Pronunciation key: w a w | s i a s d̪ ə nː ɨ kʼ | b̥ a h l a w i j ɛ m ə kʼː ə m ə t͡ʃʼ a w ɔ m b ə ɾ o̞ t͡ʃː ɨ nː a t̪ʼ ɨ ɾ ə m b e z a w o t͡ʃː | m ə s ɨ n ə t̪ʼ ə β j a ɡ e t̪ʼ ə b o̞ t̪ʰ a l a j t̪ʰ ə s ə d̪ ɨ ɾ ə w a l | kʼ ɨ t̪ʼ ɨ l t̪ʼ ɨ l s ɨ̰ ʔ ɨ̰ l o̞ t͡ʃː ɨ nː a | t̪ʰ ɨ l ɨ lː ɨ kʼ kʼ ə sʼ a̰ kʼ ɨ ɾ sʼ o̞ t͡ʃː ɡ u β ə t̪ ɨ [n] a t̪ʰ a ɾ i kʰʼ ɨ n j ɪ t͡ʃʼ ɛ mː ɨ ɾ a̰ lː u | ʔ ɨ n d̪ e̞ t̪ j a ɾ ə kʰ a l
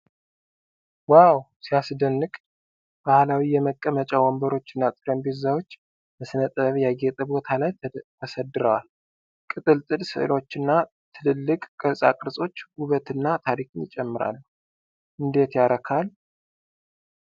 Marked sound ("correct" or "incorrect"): incorrect